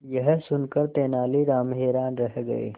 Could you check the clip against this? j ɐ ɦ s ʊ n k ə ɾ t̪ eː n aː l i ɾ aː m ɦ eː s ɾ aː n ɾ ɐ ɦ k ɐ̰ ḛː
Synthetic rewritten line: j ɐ ɦ s ʊ n k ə ɾ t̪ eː n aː l i ɾ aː m ɦ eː ɾ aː n ɾ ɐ ɦ ɡ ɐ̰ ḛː